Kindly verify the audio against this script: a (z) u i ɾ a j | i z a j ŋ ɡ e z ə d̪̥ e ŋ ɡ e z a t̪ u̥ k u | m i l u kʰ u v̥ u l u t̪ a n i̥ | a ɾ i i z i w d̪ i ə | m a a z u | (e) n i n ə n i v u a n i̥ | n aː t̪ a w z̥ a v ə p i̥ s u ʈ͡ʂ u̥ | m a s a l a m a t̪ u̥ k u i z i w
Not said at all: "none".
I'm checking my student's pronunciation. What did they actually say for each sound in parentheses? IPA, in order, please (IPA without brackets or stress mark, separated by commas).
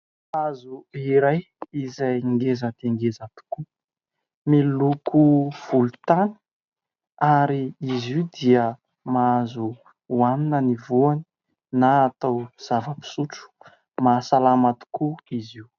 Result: z, a